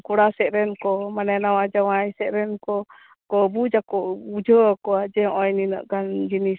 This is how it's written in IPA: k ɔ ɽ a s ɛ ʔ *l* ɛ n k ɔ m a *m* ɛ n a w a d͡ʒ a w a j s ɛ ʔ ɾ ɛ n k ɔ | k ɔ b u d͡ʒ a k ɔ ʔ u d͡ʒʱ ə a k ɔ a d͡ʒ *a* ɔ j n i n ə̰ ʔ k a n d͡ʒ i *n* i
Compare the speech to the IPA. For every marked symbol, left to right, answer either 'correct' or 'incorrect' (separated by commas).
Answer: incorrect, incorrect, incorrect, correct